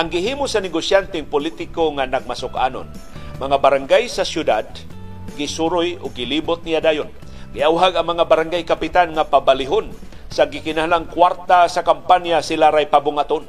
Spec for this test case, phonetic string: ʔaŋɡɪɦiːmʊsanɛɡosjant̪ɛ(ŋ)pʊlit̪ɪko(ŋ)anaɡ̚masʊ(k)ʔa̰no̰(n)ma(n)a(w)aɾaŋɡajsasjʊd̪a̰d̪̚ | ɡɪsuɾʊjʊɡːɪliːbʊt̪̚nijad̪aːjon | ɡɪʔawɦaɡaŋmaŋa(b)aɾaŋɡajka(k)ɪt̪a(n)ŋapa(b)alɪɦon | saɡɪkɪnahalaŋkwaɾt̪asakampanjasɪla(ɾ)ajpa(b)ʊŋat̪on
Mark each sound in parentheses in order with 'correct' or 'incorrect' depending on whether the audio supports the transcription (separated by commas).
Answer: correct, correct, correct, correct, incorrect, incorrect, correct, incorrect, correct, correct, correct, correct